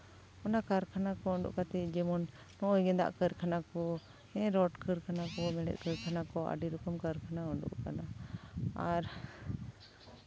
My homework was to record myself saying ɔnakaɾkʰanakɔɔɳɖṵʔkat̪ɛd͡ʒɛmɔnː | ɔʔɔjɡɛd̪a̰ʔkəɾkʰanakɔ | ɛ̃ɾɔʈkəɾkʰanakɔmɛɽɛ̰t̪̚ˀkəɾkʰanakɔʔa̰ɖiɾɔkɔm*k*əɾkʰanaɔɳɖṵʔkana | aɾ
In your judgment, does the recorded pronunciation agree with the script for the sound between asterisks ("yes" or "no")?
yes